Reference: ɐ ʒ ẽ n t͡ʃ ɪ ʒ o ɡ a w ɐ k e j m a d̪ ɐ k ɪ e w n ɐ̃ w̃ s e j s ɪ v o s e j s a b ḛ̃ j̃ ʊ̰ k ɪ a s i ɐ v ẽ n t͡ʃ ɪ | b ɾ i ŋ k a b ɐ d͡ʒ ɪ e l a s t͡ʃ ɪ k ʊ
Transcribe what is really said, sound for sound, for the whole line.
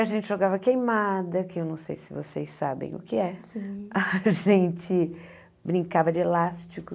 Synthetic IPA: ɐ ʒ ẽ n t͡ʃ ɪ ʒ o ɡ a v ɐ k e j m a d̪ ɐ k ɪ e w n ɐ̃ w̃ s e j s ɪ v o s e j s a b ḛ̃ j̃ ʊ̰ k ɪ ɛ s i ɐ ʒ ẽ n t͡ʃ ɪ | b ɾ ĩ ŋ k a v ɐ d͡ʒ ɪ e l a s t͡ʃ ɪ k ʊ